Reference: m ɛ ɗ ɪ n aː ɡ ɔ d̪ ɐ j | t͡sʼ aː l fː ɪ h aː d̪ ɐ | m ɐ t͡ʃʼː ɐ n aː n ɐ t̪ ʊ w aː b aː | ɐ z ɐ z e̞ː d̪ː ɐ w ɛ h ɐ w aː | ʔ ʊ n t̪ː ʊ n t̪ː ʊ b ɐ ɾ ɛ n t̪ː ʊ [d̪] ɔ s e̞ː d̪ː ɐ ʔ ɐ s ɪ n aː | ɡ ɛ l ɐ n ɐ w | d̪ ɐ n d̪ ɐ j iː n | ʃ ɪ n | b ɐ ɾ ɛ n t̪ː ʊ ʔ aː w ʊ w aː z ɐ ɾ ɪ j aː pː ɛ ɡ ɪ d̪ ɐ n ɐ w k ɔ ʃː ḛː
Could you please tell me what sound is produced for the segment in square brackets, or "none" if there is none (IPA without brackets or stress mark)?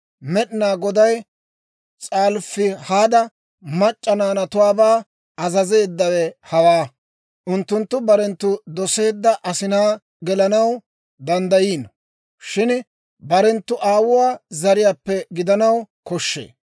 d̪